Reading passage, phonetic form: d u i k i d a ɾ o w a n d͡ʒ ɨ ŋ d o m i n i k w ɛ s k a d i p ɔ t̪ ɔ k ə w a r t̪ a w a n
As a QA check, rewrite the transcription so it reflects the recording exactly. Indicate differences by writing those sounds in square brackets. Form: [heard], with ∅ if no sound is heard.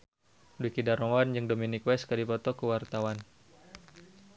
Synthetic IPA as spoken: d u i k i d a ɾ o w a n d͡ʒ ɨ ŋ d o m i n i k w ɛ s k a d i p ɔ t̪ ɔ k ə w a r t̪ a w a n